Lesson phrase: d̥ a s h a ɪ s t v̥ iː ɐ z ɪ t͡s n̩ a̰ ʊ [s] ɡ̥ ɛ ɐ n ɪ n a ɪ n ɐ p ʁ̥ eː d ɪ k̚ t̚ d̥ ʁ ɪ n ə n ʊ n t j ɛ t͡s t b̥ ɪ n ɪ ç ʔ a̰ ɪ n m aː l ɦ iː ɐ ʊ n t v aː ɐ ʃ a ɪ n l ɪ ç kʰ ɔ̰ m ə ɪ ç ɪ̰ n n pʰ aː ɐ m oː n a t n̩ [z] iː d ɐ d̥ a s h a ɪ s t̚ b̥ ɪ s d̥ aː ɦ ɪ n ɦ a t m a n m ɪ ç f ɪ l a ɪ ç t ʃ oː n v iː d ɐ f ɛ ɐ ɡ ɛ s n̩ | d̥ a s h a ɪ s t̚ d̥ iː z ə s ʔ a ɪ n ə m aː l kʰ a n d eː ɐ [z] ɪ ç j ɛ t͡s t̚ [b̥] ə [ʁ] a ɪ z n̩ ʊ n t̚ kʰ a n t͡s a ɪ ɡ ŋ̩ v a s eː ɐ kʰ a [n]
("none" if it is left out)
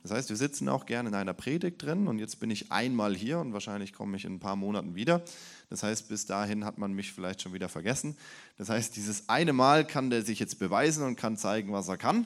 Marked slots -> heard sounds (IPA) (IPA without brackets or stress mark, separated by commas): x, v, z, b̥, v, n